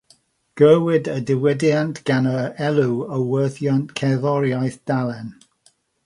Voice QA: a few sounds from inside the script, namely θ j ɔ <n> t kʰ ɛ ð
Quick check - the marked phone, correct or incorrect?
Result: correct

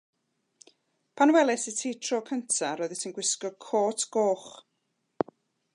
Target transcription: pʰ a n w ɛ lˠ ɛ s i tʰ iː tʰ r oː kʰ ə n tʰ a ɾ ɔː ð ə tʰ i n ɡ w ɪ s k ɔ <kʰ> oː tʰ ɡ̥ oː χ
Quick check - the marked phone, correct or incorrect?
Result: correct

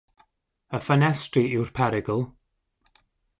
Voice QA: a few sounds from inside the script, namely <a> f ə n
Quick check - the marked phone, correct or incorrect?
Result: incorrect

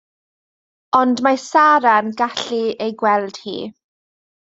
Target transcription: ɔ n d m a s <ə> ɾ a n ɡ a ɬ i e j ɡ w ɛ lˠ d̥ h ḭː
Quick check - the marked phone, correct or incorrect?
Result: incorrect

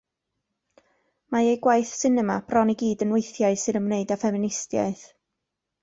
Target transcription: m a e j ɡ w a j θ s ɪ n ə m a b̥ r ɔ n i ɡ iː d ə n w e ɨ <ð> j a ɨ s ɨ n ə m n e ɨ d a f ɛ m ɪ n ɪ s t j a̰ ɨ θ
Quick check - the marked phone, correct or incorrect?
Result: incorrect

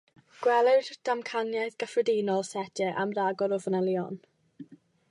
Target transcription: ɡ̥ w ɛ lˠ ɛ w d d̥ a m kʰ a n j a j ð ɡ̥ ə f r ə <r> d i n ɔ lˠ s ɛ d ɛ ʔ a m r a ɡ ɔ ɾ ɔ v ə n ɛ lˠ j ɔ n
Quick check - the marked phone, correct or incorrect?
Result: incorrect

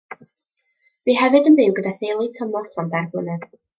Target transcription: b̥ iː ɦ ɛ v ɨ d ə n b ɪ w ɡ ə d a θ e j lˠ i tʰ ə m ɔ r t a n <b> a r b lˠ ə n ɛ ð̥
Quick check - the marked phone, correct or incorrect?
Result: incorrect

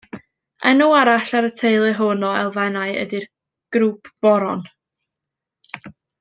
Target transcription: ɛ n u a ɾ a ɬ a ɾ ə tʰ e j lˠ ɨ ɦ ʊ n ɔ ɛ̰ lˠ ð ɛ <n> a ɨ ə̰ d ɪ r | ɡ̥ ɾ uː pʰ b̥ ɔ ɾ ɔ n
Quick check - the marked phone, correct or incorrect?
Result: correct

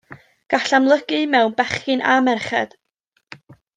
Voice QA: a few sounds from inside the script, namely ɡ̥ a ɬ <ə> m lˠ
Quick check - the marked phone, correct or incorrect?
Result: incorrect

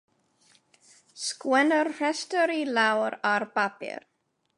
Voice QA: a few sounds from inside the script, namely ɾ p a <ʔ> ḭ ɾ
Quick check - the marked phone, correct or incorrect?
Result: incorrect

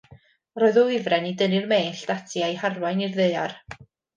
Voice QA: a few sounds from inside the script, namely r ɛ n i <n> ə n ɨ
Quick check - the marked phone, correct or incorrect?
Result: incorrect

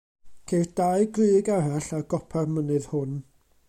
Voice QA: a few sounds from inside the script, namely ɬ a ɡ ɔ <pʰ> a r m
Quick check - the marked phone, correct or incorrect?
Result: correct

